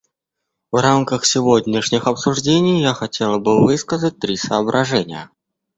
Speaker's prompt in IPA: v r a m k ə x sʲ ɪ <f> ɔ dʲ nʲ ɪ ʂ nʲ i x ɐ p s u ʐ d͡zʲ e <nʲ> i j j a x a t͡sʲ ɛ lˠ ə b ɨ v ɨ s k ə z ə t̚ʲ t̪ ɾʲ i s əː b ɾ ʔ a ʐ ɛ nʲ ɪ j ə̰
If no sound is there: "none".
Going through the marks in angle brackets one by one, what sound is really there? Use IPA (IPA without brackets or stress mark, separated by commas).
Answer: v, nʲ